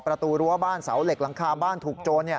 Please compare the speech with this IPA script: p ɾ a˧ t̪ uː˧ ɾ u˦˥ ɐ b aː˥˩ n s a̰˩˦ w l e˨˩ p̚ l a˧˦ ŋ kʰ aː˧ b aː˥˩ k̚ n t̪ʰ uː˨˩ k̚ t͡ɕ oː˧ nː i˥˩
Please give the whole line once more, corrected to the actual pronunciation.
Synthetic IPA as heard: p ɾ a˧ t̪ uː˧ ɾ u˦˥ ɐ b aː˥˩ n s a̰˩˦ w l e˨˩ k̚ l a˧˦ ŋ kʰ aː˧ b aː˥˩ n t̪ʰ uː˨˩ k̚ t͡ɕ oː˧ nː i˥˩